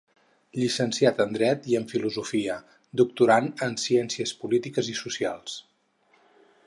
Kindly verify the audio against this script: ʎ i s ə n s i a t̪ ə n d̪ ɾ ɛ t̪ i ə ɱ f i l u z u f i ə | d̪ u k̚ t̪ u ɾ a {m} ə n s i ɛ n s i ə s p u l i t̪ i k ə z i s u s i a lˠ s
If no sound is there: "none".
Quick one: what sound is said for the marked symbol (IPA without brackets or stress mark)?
n